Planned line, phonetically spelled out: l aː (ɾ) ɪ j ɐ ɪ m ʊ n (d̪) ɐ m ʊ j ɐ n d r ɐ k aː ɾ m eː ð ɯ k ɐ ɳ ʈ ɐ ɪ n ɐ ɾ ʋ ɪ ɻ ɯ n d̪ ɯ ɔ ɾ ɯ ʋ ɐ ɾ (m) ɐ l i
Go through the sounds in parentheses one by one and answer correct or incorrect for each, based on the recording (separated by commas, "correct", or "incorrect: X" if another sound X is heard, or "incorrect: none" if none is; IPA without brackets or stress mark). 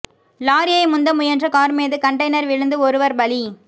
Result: correct, correct, incorrect: b